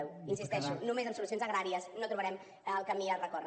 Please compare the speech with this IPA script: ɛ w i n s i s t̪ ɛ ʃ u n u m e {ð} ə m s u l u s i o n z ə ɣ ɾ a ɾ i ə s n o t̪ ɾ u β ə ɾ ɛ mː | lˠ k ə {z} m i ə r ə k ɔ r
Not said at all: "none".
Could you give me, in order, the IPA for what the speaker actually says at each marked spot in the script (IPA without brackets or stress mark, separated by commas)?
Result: z, none